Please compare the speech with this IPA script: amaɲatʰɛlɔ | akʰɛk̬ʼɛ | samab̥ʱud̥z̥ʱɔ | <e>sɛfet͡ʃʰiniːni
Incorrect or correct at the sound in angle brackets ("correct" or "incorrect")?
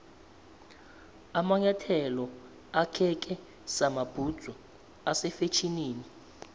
incorrect